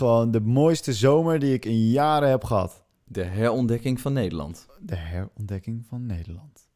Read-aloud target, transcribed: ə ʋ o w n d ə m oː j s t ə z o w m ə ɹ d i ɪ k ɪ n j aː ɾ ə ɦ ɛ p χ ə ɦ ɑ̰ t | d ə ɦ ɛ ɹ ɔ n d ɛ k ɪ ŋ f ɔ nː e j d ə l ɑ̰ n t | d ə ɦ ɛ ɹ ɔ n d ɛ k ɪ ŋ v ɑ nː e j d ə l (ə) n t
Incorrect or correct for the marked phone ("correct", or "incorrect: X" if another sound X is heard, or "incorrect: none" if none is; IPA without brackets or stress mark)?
incorrect: ɑ